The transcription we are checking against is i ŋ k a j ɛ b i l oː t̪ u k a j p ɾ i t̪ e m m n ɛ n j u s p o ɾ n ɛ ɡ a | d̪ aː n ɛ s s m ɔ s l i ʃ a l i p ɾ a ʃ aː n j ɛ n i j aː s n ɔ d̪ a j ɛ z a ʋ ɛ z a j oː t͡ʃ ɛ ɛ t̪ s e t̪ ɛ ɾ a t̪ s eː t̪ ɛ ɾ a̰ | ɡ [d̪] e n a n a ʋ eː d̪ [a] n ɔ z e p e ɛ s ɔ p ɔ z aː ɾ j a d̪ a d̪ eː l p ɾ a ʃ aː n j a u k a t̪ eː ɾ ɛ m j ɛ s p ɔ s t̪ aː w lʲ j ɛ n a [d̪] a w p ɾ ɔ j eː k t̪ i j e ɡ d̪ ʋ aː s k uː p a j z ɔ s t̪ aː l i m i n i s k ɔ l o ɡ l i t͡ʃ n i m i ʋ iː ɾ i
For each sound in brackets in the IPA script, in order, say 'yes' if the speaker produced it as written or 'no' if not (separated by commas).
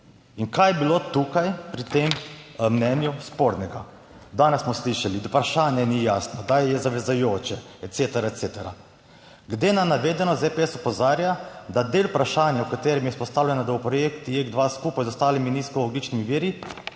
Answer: yes, no, yes